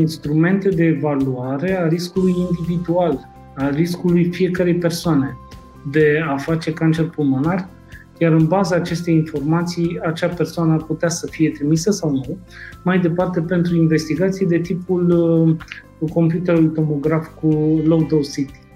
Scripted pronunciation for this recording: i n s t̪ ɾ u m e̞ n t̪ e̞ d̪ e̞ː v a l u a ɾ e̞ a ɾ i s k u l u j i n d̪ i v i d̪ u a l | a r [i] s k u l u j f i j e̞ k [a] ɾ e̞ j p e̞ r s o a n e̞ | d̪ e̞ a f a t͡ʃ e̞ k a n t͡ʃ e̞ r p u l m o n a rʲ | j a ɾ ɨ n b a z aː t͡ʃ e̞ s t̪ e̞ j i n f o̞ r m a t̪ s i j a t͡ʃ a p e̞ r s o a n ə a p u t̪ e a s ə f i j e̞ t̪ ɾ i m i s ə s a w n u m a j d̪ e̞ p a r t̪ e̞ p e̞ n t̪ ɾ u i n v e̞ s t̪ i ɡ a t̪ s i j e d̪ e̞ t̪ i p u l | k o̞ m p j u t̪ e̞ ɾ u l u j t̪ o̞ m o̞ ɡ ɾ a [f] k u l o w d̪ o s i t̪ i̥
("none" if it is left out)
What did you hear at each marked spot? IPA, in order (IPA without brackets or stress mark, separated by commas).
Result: i, ə, f